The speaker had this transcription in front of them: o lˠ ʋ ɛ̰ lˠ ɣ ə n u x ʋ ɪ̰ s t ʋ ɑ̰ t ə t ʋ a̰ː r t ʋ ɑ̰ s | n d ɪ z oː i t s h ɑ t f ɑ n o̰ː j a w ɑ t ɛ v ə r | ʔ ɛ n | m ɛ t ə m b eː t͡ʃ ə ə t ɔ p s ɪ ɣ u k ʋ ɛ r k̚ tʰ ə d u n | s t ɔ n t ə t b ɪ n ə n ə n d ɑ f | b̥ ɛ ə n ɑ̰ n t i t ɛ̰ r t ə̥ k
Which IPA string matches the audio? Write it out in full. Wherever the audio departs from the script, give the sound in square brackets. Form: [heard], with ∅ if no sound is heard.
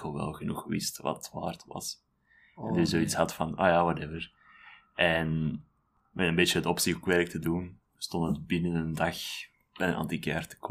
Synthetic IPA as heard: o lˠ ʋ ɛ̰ lˠ ɣ ə n u x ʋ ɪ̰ s t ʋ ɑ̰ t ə t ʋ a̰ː r t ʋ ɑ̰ s | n d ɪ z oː i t s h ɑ t f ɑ n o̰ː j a w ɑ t ɛ v ə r | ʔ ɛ n | m ɛ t ə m b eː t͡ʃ ə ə t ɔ p s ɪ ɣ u k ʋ ɛ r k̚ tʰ ə d u n | s t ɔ n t ə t b ɪ n ə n ə n d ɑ [x] | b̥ ɛ ə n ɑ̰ n t i [k] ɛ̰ r t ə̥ k